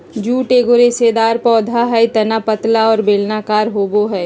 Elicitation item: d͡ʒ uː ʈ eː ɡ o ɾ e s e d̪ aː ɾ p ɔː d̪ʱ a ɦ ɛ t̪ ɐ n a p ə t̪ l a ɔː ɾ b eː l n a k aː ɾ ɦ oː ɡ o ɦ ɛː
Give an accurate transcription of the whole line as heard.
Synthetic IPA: d͡ʒ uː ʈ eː ɡ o ɾ e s e d̪ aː ɾ p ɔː d̪ʱ a ɦ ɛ t̪ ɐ n a p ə t̪ l a ɔː ɾ b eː l n a k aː ɾ ɦ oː b o ɦ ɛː